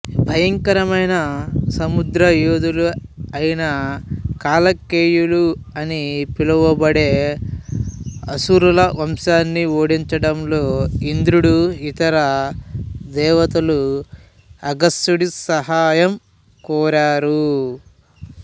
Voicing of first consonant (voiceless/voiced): voiced